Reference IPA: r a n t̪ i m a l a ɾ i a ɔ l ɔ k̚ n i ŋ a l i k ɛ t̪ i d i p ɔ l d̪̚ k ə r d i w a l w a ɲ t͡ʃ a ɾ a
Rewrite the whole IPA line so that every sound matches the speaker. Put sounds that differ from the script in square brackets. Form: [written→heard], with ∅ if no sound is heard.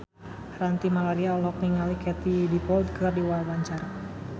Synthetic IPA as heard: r a n t̪ i m a l a ɾ i a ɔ l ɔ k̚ n i ŋ a l i k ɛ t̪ i d i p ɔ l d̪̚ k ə r d i w a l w a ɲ t͡ʃ a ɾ a